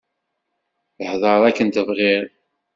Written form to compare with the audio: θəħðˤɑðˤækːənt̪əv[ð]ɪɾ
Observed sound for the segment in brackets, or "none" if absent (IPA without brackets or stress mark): ʁ